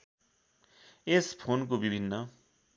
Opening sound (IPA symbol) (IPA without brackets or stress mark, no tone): e